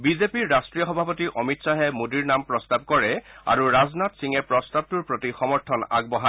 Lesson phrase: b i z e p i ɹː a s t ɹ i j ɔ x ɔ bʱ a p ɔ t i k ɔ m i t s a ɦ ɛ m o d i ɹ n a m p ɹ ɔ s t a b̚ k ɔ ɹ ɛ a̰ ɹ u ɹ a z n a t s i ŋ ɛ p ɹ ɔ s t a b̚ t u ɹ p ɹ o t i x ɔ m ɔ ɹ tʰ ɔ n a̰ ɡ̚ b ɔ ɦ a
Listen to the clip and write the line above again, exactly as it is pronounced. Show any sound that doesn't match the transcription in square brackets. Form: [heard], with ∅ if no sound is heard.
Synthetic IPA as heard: b i z e p i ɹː a s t ɹ i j ɔ x ɔ bʱ a p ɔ t i [ʔ] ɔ m i t s a ɦ ɛ m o d i ɹ n a m p ɹ ɔ s t a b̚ k ɔ ɹ ɛ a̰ ɹ u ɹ a z n a t s i ŋ ɛ p ɹ ɔ s t a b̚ t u ɹ p ɹ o t i x ɔ m ɔ ɹ tʰ ɔ n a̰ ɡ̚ b ɔ ɦ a

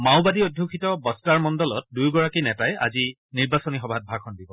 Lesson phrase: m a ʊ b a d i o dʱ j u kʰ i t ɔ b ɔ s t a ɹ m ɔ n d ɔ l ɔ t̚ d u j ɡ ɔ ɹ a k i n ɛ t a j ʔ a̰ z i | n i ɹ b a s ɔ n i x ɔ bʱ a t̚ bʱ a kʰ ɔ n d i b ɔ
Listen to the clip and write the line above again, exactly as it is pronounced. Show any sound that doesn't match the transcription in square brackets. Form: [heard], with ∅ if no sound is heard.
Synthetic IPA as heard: m a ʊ b a d i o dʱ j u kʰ i t ɔ b ɔ s t a ɹ m ɔ n d ɔ l ɔ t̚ d u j ɡ ɔ ɹ a k i n ɛ t a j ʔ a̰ z i | n i ɹ b a s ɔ n i x ɔ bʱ a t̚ bʱ a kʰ ɔ n d i b ɔ

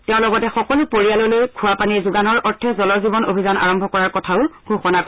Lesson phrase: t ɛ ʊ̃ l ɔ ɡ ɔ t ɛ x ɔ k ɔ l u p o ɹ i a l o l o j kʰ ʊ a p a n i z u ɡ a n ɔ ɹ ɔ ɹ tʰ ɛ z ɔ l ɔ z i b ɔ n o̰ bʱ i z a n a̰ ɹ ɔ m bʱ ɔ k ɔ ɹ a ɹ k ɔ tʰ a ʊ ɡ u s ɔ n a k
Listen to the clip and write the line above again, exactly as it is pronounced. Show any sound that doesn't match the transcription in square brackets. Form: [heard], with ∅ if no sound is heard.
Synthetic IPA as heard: t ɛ ʊ̃ l ɔ ɡ ɔ t ɛ x ɔ k ɔ l u p o ɹ i a l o l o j kʰ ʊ a p a n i z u ɡ a n ɔ ɹ ɔ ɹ tʰ ɛ z ɔ l ɔ z i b ɔ n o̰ bʱ i z a n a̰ ɹ ɔ m bʱ ɔ k ɔ ɹ a ɹ k ɔ tʰ a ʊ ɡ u [x] ɔ n a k

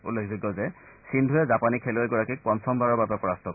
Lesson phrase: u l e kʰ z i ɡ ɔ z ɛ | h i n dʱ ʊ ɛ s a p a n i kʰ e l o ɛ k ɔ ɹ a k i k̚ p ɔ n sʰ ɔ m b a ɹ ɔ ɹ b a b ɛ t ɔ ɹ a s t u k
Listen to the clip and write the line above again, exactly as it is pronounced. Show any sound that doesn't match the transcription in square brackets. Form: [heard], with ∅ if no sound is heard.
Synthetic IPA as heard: u l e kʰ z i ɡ ɔ z ɛ | [s] i n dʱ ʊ ɛ [z] a p a n i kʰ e l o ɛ [ɡ] ɔ ɹ a k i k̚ p ɔ n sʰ ɔ m b a ɹ ɔ ɹ b a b ɛ [p] ɔ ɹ a s t [ɔ] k

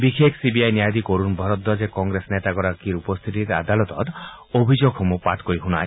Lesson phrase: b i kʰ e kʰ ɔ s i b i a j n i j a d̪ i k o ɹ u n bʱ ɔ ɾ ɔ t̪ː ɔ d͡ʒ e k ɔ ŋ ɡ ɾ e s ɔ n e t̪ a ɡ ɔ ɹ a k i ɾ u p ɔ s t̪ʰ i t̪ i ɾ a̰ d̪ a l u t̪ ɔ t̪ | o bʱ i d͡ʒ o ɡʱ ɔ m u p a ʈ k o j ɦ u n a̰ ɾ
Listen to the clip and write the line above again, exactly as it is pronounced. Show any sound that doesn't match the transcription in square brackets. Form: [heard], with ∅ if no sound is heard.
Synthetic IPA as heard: b i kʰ e kʰ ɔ s i b i a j n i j a d̪ i k o [ɾ] u n bʱ ɔ ɾ ɔ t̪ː ɔ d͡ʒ e k ɔ ŋ ɡ ɾ e s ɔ n e t̪ a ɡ ɔ [ɾ] a k i ɾ u p ɔ s t̪ʰ i t̪ i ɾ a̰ d̪ a l [ɔ] t̪ ɔ t̪ | o bʱ i d͡ʒ o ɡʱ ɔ m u p a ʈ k o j ɦ u n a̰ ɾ

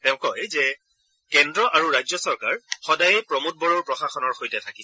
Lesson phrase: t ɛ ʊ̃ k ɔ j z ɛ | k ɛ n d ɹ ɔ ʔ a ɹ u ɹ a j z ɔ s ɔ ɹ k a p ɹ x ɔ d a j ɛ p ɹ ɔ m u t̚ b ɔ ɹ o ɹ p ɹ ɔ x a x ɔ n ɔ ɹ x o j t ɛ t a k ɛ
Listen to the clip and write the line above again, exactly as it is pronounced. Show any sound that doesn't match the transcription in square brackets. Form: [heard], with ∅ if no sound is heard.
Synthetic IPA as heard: t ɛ ʊ̃ k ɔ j z ɛ | k ɛ n d ɹ ɔ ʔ a ɹ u ɹ a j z ɔ s ɔ ɹ k a [∅] ɹ x ɔ d a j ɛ p ɹ ɔ m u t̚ b ɔ ɹ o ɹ p ɹ ɔ x a x ɔ n ɔ ɹ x o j t ɛ [tʰ] a k [i]

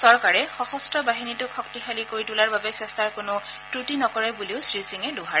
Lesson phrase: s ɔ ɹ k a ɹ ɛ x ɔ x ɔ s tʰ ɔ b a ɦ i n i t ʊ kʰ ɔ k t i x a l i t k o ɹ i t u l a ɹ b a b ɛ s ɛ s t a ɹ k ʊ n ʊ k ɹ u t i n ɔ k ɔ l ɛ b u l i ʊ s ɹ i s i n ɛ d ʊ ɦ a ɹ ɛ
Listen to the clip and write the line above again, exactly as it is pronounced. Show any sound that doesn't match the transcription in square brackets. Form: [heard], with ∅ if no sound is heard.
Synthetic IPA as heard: s ɔ ɹ k a ɹ ɛ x ɔ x ɔ s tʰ ɔ b a ɦ i n i t ʊ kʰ ɔ k t i x a l i [∅] k o ɹ i t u l a ɹ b a b ɛ s ɛ s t a ɹ k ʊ n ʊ [t] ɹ u t i n ɔ k ɔ [ɹ] ɛ b u l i ʊ s ɹ i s i [ŋ] ɛ d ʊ ɦ a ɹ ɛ

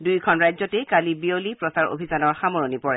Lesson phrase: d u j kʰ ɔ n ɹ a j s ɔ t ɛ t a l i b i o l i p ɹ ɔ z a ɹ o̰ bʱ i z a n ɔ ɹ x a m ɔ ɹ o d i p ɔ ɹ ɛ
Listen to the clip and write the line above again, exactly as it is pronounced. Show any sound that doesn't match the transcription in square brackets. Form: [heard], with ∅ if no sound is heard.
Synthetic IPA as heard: d u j kʰ ɔ n ɹ a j [z] ɔ t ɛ [k] a l i b i o l i p ɹ ɔ [s] a ɹ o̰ bʱ i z a n ɔ ɹ x a m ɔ ɹ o [n] i p ɔ ɹ ɛ

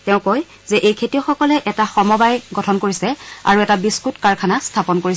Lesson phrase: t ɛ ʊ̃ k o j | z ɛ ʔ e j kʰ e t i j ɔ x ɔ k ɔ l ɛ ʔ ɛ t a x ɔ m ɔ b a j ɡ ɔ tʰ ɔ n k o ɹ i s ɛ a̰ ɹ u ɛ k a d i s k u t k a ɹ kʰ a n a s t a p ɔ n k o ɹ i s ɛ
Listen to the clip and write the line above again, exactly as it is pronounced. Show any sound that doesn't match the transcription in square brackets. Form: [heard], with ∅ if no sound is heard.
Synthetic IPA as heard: t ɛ ʊ̃ k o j | z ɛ ʔ e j kʰ e t i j ɔ x ɔ k ɔ l ɛ ʔ ɛ t a x ɔ m ɔ b a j ɡ ɔ tʰ ɔ n k o ɹ i s ɛ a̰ ɹ u ɛ [t] a [b] i s k u t k a ɹ kʰ a n a s [tʰ] a p ɔ n k o ɹ i s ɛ

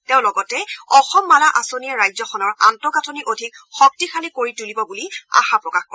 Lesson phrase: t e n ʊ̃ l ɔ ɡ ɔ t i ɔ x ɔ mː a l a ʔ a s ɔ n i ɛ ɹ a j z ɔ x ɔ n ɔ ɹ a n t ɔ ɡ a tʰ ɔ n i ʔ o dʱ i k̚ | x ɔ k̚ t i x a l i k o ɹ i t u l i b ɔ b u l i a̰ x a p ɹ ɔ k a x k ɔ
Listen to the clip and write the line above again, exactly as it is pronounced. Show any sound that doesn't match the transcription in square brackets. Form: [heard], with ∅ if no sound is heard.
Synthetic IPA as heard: t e [∅] ʊ̃ l ɔ ɡ ɔ t [ɛ] ɔ x ɔ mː a l a ʔ a s [o] n i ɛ ɹ a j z ɔ x ɔ n ɔ ɹ a n t ɔ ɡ a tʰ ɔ n i ʔ o dʱ i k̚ | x ɔ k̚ t i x a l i k o ɹ i t u l i b ɔ b u l i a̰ x a p ɹ ɔ k a x k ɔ

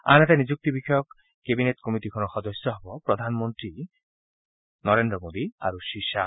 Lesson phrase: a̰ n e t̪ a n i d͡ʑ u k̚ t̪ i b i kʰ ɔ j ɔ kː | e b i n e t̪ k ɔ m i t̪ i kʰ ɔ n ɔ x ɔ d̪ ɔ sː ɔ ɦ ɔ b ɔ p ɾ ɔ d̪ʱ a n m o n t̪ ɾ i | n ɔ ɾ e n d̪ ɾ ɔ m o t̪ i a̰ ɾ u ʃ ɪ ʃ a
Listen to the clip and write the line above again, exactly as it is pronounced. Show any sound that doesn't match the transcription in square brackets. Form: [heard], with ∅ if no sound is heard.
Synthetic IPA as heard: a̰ n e t̪ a n i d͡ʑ u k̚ t̪ i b i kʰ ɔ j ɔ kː | e b i n e t̪ k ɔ m i t̪ i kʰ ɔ n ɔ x ɔ d̪ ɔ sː ɔ ɦ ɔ b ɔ p ɾ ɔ d̪ʱ a n m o n t̪ ɾ i | n ɔ ɾ e n d̪ ɾ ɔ m o [d̪] i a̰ ɾ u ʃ [i] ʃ a

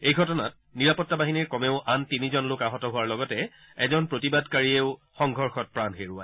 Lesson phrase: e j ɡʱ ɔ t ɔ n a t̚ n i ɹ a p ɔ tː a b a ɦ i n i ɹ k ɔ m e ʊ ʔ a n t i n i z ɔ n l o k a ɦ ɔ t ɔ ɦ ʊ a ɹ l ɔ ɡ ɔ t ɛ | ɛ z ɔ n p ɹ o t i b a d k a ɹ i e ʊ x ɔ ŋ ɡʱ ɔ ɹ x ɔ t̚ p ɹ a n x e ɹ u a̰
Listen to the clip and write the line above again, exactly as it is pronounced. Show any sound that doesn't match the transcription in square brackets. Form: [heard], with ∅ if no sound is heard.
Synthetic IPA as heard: e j ɡʱ ɔ t ɔ n a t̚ n i ɹ a p ɔ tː a b a ɦ i n i ɹ k ɔ m e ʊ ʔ a n t i n i z ɔ n l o k a ɦ ɔ t ɔ ɦ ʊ a ɹ l ɔ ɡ ɔ t ɛ | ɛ z ɔ n p ɹ o t i b a d k a ɹ i e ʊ x ɔ ŋ ɡʱ ɔ ɹ x ɔ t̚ p ɹ a n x e ɹ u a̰

